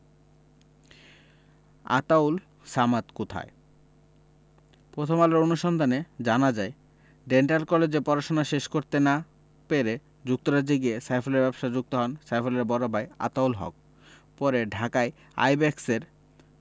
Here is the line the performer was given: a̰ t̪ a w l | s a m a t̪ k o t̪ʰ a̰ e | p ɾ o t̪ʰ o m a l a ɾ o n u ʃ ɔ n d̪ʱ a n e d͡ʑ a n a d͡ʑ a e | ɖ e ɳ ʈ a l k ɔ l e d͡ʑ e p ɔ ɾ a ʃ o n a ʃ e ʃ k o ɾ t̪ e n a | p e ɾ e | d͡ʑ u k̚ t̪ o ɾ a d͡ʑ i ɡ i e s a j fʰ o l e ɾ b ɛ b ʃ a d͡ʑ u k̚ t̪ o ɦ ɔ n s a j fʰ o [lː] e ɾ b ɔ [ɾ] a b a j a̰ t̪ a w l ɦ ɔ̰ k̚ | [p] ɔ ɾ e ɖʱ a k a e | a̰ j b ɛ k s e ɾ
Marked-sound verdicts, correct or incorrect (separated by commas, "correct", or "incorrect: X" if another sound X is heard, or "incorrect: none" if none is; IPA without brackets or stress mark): incorrect: l, correct, correct